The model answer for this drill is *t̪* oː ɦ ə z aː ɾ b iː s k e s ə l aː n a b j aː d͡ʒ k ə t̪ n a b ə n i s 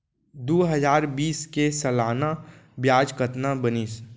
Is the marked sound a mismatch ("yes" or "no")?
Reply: yes